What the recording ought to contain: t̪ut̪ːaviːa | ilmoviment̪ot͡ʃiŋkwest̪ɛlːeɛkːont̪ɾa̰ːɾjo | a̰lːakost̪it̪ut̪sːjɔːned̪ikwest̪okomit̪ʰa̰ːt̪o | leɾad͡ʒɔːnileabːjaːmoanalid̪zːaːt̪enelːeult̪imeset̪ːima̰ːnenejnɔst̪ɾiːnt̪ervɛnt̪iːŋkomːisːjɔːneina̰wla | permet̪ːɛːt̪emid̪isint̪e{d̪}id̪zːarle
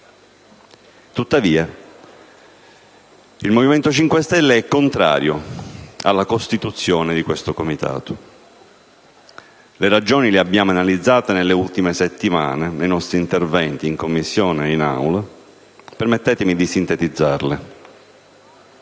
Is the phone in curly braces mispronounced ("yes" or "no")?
yes